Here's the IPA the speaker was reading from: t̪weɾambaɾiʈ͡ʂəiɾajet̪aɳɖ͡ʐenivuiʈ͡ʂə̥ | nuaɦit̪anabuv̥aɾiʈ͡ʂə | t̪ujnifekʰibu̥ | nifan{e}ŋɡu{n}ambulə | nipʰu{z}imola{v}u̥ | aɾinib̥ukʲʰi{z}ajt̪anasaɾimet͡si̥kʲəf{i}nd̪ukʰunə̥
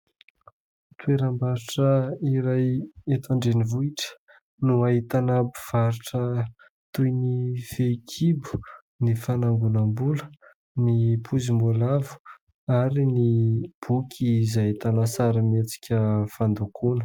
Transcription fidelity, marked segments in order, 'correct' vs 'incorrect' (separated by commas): incorrect, correct, correct, correct, correct, incorrect